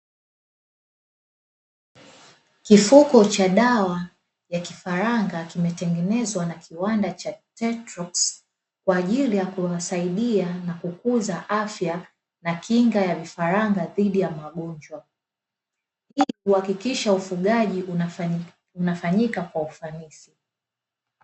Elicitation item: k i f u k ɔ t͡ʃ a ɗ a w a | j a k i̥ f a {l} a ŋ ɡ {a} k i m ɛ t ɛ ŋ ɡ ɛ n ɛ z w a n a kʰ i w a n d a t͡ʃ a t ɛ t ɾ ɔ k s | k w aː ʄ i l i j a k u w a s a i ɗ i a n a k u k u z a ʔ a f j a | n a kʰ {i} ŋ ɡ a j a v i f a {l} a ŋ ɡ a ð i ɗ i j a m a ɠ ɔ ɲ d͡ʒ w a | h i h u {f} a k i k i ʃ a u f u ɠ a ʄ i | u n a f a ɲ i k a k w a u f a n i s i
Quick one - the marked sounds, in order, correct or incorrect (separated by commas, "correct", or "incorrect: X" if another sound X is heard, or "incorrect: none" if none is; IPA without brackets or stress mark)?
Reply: incorrect: ɾ, correct, correct, incorrect: ɾ, incorrect: h